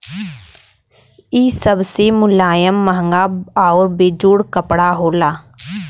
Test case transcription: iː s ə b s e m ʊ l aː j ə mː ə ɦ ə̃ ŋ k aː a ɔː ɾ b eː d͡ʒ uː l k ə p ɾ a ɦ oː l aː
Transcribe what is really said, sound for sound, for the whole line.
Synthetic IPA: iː s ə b s e m ʊ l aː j ə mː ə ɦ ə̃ ŋ ɡ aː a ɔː ɾ b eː d͡ʒ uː ɽ k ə p ɽ a ɦ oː l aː